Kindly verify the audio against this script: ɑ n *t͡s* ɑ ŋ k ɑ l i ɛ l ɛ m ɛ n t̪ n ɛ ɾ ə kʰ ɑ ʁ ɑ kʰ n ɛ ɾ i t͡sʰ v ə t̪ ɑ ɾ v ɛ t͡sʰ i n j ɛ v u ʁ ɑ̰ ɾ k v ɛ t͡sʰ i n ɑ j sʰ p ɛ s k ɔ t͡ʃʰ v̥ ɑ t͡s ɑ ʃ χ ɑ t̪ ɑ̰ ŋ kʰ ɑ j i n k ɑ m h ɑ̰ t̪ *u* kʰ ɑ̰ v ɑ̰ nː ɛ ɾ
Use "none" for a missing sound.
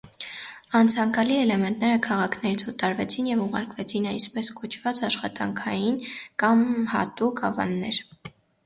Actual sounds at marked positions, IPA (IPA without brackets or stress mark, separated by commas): t͡sʰ, u